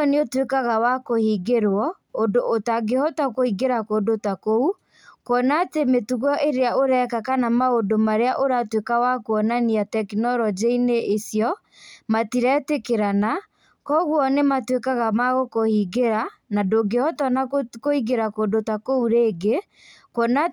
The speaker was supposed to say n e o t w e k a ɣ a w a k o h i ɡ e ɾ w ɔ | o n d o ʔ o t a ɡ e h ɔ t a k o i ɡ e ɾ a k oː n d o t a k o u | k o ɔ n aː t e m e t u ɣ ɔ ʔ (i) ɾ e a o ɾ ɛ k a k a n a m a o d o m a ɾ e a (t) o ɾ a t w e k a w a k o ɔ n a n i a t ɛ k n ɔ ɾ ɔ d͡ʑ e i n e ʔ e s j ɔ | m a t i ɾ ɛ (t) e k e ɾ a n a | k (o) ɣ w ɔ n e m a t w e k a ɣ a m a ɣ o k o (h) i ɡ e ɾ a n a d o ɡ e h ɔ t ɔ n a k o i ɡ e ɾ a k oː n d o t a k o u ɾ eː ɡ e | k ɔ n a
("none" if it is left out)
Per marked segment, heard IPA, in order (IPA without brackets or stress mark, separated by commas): e, ʔ, t, ɔ, h